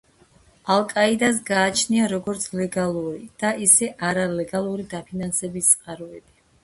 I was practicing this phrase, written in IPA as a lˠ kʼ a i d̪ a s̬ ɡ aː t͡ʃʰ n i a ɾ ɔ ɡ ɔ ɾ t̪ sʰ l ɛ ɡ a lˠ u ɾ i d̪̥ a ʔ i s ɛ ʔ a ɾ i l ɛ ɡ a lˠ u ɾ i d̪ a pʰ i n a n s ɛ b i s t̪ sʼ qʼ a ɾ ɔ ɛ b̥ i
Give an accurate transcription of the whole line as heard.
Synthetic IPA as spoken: a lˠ kʼ a i d̪ a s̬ ɡ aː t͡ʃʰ n i a ɾ ɔ ɡ ɔ ɾ t̪ sʰ l ɛ ɡ a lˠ u ɾ i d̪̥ a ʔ i s ɛ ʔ a ɾ a l ɛ ɡ a lˠ u ɾ i d̪ a pʰ i n a n s ɛ b i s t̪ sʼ qʼ a ɾ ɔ ɛ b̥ i